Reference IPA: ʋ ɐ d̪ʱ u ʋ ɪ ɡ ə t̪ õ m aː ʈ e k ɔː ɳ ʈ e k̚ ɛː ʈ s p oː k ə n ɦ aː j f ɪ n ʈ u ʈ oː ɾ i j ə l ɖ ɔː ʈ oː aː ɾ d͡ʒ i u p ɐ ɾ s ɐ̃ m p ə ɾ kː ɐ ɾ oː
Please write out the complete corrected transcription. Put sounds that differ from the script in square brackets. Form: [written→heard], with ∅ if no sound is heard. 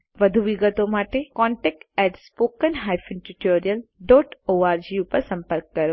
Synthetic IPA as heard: ʋ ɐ d̪ʱ u ʋ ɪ ɡ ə t̪ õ m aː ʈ e k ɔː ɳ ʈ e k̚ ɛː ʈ s p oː k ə n ɦ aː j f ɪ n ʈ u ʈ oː ɾ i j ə l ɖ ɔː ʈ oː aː ɾ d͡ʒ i u p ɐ ɾ s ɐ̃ m p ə ɾ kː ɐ ɾ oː